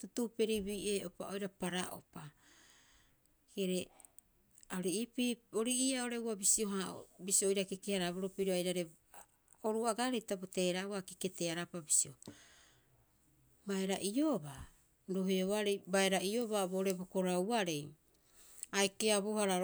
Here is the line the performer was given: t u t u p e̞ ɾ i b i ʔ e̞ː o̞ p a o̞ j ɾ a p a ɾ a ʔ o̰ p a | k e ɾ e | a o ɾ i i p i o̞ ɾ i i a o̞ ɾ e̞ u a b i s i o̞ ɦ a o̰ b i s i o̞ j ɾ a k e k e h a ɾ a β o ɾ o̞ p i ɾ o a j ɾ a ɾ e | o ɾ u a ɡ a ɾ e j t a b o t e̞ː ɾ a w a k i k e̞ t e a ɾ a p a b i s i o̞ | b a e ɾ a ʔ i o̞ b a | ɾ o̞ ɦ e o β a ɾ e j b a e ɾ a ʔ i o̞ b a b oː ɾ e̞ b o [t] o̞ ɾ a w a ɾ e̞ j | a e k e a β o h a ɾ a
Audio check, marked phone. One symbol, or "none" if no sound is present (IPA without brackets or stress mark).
k